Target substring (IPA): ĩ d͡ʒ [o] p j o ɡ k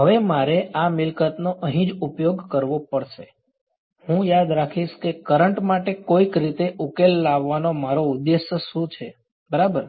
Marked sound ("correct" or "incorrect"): incorrect